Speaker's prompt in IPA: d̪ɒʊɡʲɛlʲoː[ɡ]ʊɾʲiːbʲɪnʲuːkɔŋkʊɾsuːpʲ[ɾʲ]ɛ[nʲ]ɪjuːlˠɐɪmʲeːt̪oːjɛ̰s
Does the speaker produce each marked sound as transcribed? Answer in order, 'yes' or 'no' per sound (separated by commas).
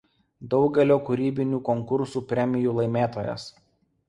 no, yes, no